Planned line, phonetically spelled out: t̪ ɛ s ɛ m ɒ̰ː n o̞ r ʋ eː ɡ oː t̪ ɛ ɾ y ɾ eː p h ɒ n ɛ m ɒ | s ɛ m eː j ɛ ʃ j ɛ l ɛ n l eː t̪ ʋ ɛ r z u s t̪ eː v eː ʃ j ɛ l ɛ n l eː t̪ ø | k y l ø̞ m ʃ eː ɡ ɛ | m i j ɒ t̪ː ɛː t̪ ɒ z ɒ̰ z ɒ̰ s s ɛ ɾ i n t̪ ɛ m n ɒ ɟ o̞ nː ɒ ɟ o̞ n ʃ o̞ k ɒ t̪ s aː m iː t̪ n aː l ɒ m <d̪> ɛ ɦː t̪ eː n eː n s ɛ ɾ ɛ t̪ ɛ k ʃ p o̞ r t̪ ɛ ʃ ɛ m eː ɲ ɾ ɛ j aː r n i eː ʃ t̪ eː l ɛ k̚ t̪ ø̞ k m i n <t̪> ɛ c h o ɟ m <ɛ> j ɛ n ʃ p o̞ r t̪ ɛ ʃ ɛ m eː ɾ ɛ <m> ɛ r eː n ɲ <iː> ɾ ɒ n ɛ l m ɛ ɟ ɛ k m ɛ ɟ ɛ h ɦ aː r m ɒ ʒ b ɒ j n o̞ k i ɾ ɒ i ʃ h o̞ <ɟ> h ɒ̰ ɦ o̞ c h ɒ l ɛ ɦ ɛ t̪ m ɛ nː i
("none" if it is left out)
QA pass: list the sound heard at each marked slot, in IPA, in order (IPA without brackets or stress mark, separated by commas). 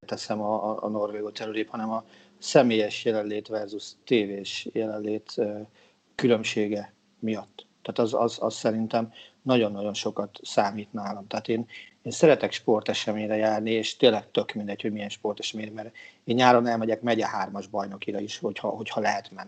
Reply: t̪, d̪, i, m, aː, c